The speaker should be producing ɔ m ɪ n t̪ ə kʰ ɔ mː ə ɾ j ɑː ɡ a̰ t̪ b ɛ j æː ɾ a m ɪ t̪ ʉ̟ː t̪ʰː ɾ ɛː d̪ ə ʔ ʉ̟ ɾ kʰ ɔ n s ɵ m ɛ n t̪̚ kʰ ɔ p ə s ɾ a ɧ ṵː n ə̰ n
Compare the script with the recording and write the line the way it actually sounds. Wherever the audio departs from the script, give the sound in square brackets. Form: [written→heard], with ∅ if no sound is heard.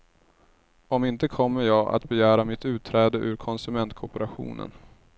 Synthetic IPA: ɔ m ɪ n t̪ ə kʰ ɔ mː ə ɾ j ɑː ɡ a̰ t̪ b ɛ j æː ɾ a m ɪ t̪ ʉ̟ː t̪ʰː ɾ ɛː d̪ ə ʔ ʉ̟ ɾ kʰ ɔ n s ɵ m ɛ n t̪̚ kʰ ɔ p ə [s→∅] ɾ a ɧ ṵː n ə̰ n